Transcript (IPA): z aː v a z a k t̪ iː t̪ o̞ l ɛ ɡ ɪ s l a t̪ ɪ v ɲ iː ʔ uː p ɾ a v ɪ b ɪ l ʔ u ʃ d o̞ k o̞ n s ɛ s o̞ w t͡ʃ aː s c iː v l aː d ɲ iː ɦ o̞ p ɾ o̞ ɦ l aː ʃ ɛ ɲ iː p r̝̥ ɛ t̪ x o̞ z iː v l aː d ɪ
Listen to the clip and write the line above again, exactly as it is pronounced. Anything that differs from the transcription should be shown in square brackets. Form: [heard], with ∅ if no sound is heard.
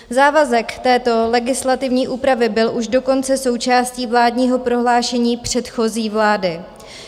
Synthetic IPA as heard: z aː v a z [ɛ] k t̪ [ɛː] t̪ o̞ l ɛ ɡ ɪ s l a t̪ ɪ v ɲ iː ʔ uː p ɾ a v ɪ b ɪ l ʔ u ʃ d o̞ k o̞ n [t͡s] ɛ s o̞ w t͡ʃ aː s c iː v l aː d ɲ iː ɦ o̞ p ɾ o̞ ɦ l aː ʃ ɛ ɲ iː p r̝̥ ɛ t̪ x o̞ z iː v l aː d ɪ